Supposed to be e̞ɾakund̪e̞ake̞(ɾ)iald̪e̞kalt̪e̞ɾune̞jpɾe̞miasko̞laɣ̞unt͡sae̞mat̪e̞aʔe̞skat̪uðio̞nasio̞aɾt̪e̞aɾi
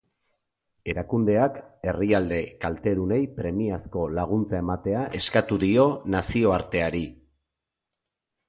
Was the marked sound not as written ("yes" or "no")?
yes